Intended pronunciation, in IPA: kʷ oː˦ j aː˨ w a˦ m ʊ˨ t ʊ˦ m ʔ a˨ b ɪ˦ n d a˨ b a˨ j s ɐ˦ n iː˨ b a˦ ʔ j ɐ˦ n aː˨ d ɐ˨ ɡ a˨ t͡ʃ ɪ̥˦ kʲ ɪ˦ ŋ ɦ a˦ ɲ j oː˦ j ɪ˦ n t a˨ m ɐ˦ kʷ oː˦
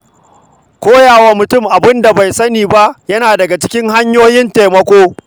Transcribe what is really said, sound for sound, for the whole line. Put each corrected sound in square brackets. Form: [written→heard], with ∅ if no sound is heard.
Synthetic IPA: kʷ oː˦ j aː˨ w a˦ m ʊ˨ t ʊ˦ m ʔ a˨ b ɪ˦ n d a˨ b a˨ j s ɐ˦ n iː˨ b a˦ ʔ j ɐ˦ n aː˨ d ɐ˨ ɡ a˨ t͡ʃ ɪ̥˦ kʲ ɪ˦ ŋ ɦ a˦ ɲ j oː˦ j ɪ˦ n t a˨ m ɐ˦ kʷ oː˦